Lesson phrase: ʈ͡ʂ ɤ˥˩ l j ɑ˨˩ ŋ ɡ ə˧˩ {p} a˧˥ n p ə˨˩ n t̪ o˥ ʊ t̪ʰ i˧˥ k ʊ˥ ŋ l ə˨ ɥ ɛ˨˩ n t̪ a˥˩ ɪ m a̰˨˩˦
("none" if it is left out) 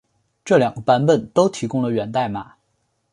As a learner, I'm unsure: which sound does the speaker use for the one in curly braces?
p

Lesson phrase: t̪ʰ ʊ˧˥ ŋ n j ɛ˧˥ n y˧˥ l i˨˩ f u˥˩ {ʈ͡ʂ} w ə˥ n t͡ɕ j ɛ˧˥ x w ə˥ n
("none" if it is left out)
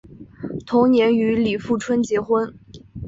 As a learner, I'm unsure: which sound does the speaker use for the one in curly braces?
ʈ͡ʂʰ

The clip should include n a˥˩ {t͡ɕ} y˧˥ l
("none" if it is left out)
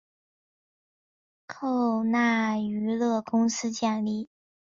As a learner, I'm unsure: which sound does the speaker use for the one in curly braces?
none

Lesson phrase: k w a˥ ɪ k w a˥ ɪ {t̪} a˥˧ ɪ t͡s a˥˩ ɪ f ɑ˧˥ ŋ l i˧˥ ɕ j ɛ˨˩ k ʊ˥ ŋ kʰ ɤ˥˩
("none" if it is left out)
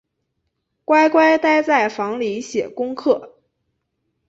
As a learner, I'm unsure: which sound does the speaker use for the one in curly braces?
t̪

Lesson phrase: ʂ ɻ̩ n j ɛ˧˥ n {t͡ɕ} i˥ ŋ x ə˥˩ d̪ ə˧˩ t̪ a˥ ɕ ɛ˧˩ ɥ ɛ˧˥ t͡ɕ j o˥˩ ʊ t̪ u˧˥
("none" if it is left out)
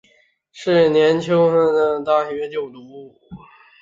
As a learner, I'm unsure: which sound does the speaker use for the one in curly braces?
t͡ɕʰ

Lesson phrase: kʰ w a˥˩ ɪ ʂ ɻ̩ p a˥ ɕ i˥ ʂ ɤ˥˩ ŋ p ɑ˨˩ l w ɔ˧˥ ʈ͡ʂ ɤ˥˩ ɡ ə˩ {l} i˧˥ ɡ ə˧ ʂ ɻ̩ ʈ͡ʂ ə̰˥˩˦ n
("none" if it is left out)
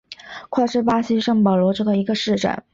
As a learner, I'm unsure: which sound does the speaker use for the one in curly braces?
none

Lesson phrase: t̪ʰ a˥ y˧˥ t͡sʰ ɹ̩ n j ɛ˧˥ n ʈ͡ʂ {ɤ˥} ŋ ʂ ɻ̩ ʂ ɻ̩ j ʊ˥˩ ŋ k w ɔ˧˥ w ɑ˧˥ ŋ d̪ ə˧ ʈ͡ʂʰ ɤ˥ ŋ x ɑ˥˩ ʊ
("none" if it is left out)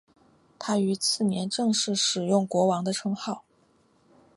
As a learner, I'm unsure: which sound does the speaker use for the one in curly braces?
ɤ˥˧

